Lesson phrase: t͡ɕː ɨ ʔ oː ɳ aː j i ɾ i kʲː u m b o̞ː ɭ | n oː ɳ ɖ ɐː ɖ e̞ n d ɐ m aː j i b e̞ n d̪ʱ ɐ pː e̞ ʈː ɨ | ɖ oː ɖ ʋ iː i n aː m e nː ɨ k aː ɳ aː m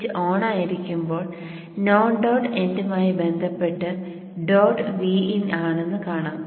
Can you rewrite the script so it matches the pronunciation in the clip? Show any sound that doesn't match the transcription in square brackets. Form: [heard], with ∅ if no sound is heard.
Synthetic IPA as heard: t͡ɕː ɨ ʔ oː ɳ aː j i ɾ i kʲː u m b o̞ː ɭ | n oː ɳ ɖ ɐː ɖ e̞ n d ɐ m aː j i b e̞ n d̪ʱ ɐ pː e̞ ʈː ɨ | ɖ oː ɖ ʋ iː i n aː [ɳ] e nː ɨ k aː ɳ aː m